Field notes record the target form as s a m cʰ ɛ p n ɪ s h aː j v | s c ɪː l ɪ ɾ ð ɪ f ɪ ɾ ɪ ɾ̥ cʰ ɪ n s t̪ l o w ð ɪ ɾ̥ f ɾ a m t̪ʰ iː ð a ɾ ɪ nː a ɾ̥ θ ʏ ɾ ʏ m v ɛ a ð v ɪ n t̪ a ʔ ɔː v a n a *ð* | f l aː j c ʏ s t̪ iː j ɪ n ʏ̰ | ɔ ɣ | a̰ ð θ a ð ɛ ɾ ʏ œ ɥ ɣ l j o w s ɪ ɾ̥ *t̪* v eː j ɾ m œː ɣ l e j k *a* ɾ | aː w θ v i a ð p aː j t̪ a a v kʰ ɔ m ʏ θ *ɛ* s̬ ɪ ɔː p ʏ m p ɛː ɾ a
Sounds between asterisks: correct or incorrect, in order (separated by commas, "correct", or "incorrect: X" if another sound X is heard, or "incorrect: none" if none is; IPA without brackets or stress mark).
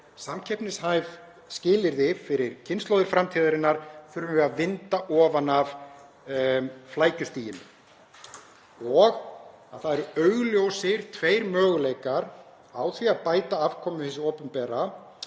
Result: incorrect: v, incorrect: t̪ʰ, correct, correct